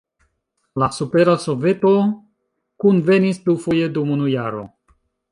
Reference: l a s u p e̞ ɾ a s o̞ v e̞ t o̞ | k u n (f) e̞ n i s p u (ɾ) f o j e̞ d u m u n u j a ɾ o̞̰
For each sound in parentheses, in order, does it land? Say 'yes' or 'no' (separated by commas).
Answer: no, no